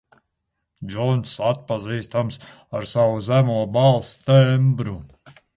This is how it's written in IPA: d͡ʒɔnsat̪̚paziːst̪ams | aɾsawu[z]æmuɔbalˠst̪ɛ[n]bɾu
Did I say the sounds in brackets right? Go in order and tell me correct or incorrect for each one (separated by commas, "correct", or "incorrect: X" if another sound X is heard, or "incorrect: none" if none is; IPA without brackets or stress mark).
correct, incorrect: m